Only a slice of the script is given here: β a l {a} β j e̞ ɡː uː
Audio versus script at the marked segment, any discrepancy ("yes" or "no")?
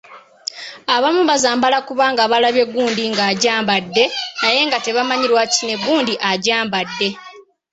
no